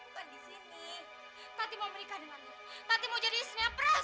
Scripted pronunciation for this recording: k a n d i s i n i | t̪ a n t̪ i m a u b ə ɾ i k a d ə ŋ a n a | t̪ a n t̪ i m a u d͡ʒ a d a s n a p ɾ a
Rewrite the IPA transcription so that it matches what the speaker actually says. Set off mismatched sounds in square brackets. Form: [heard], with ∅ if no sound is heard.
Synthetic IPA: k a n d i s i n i | t̪ a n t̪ i m a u [m] ə ɾ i k a d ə ŋ a n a | t̪ a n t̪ i m a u d͡ʒ a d [i] s n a p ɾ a